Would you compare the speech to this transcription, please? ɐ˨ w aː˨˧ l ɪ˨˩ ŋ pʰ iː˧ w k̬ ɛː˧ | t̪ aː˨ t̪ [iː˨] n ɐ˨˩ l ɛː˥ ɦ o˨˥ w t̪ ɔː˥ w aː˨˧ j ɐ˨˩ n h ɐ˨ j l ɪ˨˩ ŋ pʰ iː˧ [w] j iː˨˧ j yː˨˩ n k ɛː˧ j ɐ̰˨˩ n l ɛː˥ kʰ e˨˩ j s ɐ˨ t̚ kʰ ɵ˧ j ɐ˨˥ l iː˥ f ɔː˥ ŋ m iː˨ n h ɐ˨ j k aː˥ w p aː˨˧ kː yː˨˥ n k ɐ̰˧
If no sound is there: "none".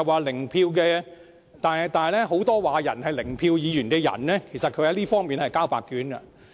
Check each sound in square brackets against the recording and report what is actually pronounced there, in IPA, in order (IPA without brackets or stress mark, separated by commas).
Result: aː˨, w